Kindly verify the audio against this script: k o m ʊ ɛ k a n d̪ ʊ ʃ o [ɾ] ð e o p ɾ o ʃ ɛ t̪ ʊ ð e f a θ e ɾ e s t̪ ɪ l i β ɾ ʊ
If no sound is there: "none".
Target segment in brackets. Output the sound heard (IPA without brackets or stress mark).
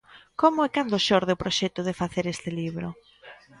ɾ